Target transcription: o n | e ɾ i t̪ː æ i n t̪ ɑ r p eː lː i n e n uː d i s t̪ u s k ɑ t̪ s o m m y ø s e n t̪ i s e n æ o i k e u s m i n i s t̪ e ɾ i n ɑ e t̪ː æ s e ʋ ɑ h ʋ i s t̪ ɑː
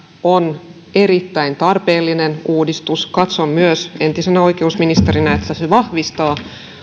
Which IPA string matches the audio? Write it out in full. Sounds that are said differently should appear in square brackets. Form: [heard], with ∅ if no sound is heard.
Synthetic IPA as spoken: o n | e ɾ i t̪ː æ i n t̪ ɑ r p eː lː i n e n uː d i s t̪ u s k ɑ t̪ s o m m y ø s e n t̪ i s e n æ o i k e u s m i n i s t̪ e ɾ i n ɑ e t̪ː æ s e ʋ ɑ h ʋ i s t̪ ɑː